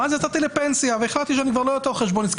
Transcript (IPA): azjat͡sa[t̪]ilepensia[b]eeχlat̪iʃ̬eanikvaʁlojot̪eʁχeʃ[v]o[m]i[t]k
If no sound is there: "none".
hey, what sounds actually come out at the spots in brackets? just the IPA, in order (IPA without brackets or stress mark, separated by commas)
t̪, v, b, n, s